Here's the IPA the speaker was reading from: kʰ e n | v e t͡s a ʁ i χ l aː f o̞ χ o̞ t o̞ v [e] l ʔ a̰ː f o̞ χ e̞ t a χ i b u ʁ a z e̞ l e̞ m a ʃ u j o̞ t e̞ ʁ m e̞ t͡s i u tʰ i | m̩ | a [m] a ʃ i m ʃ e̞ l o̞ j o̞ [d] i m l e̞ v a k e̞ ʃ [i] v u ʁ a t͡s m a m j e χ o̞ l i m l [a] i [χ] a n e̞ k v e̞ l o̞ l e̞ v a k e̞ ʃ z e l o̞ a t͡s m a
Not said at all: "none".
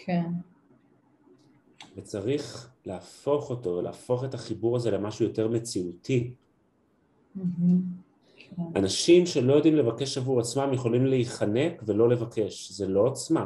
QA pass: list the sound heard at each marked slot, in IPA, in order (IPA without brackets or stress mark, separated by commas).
e, n, d, a, e, χ